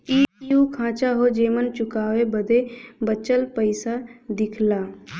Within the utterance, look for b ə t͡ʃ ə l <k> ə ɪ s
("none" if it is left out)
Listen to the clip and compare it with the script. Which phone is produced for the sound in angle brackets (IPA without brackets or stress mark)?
p